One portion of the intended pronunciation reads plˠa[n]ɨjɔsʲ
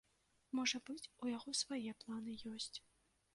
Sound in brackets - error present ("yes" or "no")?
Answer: no